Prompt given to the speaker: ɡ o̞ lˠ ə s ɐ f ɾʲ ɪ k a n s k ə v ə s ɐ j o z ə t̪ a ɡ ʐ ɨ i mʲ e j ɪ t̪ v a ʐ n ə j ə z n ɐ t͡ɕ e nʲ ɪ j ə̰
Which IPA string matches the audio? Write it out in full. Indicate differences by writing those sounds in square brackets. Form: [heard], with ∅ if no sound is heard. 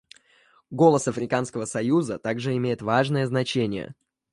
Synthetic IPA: ɡ o̞ lˠ ə s ɐ f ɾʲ ɪ k a n s k ə v ə s ɐ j [u] z ə t̪ a ɡ ʐ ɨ [ɪ] mʲ e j ɪ t̪ v a ʐ n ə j ə z n ɐ t͡ɕ e nʲ ɪ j ə̰